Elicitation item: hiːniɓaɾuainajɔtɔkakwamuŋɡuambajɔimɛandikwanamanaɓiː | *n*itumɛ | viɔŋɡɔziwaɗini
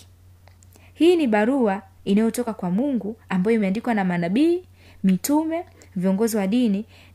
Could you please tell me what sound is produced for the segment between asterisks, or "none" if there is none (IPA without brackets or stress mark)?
m